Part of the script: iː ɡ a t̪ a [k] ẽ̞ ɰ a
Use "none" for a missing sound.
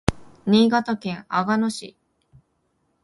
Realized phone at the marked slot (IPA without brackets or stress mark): k